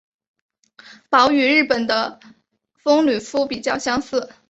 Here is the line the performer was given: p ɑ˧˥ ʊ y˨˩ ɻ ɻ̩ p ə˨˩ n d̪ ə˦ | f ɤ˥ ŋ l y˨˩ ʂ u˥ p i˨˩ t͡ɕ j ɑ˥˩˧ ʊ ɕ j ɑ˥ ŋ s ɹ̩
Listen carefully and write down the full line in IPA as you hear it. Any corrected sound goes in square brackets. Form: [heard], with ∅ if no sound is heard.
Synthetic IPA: p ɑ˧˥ ʊ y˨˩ ɻ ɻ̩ p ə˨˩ n d̪ ə˦ | f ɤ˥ ŋ l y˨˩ [f] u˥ p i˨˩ t͡ɕ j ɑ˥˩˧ ʊ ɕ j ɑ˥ ŋ s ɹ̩

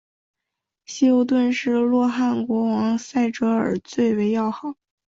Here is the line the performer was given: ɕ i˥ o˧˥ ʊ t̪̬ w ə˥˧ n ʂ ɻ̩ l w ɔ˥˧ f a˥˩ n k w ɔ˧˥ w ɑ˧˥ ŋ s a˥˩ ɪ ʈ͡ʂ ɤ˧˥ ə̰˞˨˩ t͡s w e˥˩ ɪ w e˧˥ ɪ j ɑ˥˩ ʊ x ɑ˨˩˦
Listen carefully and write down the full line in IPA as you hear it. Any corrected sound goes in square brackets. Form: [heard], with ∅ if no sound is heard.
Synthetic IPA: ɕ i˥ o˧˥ ʊ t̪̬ w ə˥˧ n ʂ ɻ̩ l w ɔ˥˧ [x] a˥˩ n k w ɔ˧˥ w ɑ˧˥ ŋ s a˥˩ ɪ ʈ͡ʂ ɤ˧˥ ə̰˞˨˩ t͡s w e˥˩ ɪ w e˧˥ ɪ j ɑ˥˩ ʊ x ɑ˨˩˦

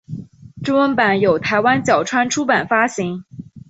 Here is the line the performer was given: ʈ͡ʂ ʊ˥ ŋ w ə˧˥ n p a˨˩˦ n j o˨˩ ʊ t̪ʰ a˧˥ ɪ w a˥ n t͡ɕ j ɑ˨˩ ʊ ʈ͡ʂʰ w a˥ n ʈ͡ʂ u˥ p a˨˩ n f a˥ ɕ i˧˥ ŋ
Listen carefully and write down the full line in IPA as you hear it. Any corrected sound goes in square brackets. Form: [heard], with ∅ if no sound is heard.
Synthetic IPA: ʈ͡ʂ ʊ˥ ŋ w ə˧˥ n p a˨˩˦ n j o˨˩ ʊ t̪ʰ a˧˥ ɪ w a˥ n t͡ɕ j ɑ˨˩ ʊ ʈ͡ʂʰ w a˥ n [ʈ͡ʂʰ] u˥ p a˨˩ n f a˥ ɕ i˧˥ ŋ

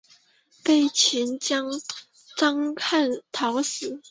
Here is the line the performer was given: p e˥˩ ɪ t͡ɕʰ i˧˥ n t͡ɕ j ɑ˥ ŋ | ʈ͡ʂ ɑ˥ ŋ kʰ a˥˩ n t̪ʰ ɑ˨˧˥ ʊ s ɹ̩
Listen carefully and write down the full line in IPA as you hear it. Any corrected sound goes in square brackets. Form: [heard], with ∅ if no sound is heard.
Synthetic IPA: p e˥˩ ɪ t͡ɕʰ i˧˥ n t͡ɕ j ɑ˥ ŋ | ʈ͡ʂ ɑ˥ ŋ kʰ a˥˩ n t̪ʰ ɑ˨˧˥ ʊ s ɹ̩

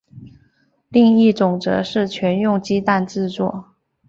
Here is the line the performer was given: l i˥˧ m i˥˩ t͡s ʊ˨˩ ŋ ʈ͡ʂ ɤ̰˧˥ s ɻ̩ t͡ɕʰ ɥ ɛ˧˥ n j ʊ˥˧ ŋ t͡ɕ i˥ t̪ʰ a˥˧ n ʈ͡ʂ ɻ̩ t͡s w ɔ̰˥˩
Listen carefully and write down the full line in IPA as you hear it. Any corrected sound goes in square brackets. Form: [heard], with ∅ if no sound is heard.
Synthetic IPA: l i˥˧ [ŋ] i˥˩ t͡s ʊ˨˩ ŋ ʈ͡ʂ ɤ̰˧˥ [ʂ] ɻ̩ t͡ɕʰ ɥ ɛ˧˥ n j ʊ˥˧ ŋ t͡ɕ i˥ [t̪] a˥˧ n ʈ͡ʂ ɻ̩ t͡s w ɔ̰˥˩

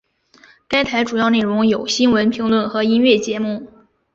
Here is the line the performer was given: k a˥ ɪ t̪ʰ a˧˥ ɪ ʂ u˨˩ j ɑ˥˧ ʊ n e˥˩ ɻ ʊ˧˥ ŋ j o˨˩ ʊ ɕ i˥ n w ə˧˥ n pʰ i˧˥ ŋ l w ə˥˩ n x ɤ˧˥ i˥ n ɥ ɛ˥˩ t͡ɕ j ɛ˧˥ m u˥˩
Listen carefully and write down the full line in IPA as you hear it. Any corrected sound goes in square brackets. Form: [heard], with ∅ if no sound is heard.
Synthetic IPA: k a˥ ɪ t̪ʰ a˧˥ ɪ [ʈ͡ʂ] u˨˩ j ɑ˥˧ ʊ n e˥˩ ɻ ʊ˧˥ ŋ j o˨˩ ʊ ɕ i˥ n w ə˧˥ n pʰ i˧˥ ŋ l w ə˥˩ n x ɤ˧˥ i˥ n ɥ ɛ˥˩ t͡ɕ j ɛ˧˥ m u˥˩

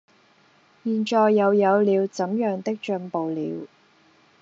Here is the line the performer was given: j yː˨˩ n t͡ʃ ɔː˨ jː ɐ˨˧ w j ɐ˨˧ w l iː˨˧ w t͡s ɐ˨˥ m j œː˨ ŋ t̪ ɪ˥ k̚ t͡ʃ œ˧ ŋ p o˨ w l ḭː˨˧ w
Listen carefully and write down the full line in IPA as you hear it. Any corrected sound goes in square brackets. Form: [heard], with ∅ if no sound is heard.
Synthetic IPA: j [iː˨˩] n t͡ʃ ɔː˨ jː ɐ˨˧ w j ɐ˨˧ w l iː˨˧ w t͡s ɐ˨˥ m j œː˨ ŋ t̪ ɪ˥ k̚ t͡ʃ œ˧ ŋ p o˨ w l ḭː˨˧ w

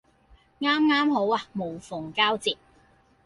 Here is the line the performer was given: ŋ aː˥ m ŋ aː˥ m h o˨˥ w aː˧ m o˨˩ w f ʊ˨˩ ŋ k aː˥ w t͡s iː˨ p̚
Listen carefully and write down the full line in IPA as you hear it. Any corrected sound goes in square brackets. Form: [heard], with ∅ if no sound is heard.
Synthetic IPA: ŋ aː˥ m ŋ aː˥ m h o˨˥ w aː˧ m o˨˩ w f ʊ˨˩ ŋ k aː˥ w t͡s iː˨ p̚

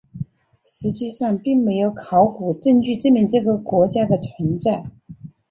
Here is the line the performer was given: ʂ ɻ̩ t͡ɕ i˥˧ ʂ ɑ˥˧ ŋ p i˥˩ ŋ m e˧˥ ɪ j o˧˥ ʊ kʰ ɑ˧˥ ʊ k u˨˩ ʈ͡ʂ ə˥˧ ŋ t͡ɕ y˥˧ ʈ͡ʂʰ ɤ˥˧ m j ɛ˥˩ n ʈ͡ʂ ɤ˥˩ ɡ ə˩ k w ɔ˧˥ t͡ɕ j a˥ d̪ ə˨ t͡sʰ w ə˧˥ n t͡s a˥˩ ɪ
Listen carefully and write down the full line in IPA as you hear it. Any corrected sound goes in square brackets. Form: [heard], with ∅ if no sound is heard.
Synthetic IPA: ʂ ɻ̩ t͡ɕ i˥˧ ʂ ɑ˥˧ ŋ p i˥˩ ŋ m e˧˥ ɪ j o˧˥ ʊ kʰ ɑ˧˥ ʊ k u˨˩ ʈ͡ʂ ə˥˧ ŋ t͡ɕ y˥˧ [ʈ͡ʂ] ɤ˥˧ m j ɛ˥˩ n ʈ͡ʂ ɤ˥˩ ɡ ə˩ k w ɔ˧˥ t͡ɕ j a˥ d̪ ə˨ t͡sʰ w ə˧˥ n t͡s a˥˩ ɪ

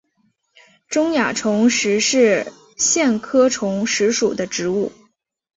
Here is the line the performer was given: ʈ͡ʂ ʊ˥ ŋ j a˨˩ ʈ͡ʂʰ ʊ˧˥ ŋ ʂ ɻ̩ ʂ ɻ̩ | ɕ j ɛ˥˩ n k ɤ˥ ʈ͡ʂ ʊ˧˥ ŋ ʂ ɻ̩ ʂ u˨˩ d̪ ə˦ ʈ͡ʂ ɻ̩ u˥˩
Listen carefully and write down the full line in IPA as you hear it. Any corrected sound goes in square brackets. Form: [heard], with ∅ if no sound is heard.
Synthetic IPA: ʈ͡ʂ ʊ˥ ŋ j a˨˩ ʈ͡ʂʰ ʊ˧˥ ŋ ʂ ɻ̩ ʂ ɻ̩ | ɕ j ɛ˥˩ n [kʰ] ɤ˥ [ʈ͡ʂʰ] ʊ˧˥ ŋ ʂ ɻ̩ ʂ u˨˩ d̪ ə˦ ʈ͡ʂ ɻ̩ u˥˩

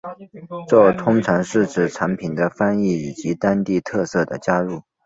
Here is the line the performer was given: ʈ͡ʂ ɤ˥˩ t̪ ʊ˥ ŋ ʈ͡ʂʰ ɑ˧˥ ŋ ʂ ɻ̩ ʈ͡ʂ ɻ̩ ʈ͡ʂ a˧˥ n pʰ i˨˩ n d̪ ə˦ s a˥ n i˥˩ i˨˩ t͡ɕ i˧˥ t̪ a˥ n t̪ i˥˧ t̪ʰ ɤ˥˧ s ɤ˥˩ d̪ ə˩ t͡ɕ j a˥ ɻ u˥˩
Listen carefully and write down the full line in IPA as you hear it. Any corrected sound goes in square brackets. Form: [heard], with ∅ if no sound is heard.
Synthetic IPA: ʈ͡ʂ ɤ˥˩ [t̪ʰ] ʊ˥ ŋ ʈ͡ʂʰ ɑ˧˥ ŋ ʂ ɻ̩ ʈ͡ʂ ɻ̩ [ʈ͡ʂʰ] a˧˥ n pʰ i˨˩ n d̪ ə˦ [f] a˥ n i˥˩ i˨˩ t͡ɕ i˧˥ t̪ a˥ n t̪ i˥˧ t̪ʰ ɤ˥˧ s ɤ˥˩ d̪ ə˩ t͡ɕ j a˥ ɻ u˥˩

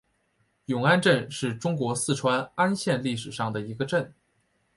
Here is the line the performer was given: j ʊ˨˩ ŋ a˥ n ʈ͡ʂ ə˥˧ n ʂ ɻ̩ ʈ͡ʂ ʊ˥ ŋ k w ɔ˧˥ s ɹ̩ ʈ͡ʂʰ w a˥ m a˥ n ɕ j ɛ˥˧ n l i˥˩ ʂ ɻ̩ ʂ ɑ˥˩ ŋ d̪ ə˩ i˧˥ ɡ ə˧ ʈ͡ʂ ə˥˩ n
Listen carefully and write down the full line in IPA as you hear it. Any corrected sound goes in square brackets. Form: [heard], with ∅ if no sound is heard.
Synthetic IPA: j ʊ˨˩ ŋ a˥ n ʈ͡ʂ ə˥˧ n ʂ ɻ̩ ʈ͡ʂ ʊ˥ ŋ k w ɔ˧˥ s ɹ̩ ʈ͡ʂʰ w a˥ [n] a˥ n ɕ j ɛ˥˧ n l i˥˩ ʂ ɻ̩ ʂ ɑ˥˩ ŋ d̪ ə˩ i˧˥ ɡ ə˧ ʈ͡ʂ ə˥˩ n

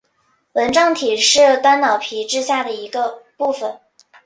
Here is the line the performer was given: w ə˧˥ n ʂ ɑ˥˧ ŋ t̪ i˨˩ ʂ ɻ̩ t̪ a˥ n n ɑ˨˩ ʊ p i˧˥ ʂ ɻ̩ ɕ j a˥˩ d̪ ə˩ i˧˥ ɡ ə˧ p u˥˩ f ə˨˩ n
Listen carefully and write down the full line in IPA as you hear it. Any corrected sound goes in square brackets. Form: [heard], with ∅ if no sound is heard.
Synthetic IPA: w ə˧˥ n [ʈ͡ʂ] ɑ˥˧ ŋ [t̪ʰ] i˨˩ ʂ ɻ̩ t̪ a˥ n n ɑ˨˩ ʊ [pʰ] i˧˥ [ʈ͡ʂ] ɻ̩ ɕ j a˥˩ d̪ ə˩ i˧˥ ɡ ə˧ p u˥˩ f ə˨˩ n

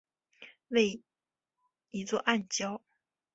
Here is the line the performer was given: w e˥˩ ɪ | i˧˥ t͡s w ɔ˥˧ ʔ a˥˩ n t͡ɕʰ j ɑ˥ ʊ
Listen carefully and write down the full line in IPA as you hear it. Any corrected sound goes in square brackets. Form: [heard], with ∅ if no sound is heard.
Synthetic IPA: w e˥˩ ɪ | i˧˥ t͡s w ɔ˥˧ ʔ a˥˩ n [t͡ɕ] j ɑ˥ ʊ

